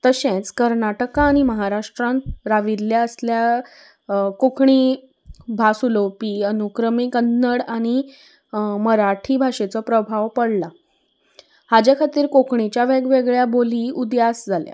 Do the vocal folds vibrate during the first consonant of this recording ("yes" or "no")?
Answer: no